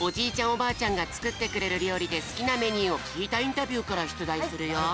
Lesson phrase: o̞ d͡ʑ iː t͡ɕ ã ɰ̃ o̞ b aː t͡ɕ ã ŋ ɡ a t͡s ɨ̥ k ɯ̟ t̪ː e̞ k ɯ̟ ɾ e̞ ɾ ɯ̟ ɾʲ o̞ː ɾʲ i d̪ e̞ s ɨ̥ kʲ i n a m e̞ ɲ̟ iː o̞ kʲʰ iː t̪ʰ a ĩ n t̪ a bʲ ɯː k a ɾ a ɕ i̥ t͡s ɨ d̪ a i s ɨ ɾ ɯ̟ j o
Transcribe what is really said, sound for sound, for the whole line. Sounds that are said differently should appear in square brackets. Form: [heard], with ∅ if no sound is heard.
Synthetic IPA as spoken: o̞ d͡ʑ iː t͡ɕ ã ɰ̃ o̞ b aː t͡ɕ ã ŋ ɡ a t͡s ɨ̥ k ɯ̟ t̪ː e̞ k ɯ̟ ɾ e̞ ɾ ɯ̟ ɾʲ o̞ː ɾʲ i d̪ e̞ s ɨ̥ kʲ i n a m e̞ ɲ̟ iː o̞ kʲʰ iː [t̪] a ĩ n t̪ a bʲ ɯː k a ɾ a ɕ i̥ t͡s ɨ d̪ a i s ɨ ɾ ɯ̟ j o

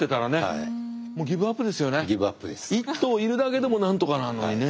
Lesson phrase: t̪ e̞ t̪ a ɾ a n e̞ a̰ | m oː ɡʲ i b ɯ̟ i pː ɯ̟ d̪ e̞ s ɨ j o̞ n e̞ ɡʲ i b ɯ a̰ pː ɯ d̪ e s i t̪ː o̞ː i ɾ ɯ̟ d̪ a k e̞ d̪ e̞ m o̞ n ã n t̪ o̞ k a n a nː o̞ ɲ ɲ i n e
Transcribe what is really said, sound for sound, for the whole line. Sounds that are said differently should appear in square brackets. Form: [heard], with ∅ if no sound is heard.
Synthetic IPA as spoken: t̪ e̞ t̪ a ɾ a n e̞ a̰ | m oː ɡʲ i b ɯ̟ [a] pː ɯ̟ d̪ e̞ s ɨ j o̞ n e̞ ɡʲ i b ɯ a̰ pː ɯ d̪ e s i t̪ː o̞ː i ɾ ɯ̟ d̪ a k e̞ d̪ e̞ m o̞ n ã n t̪ o̞ k a n a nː o̞ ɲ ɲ i n e

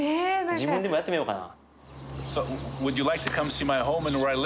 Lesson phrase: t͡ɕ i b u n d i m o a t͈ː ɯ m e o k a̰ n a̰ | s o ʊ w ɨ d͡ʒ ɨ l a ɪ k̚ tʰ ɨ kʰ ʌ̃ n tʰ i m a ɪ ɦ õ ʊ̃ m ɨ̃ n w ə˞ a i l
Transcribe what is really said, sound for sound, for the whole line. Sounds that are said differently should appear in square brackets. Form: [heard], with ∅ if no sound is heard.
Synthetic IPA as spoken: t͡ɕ i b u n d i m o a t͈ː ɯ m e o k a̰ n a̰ | s o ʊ w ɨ d͡ʒ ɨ l a ɪ k̚ tʰ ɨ kʰ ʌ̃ [m] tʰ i m a ɪ ɦ õ ʊ̃ m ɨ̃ n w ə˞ a [ɪ] l

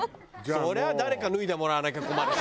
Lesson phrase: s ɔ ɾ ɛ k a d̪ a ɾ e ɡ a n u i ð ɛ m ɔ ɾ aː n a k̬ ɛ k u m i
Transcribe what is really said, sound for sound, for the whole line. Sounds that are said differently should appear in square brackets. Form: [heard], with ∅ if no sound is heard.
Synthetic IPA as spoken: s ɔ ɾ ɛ [∅] a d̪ a ɾ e [k] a n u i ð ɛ m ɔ ɾ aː n a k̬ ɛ k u m [a]

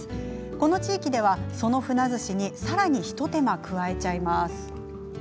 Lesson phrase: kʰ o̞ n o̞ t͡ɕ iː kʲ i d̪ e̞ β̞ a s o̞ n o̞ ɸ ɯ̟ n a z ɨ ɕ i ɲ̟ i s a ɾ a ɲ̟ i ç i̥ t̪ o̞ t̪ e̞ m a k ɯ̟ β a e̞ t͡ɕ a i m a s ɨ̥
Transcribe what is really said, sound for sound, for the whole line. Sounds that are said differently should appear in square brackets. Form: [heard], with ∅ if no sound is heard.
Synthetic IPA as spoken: [k] o̞ n o̞ t͡ɕ iː kʲ i d̪ e̞ β̞ a s o̞ n o̞ ɸ ɯ̟ n a z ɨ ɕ i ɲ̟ i s a ɾ a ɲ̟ i ç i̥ t̪ o̞ t̪ e̞ m a k ɯ̟ β a e̞ t͡ɕ a i m a s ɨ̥

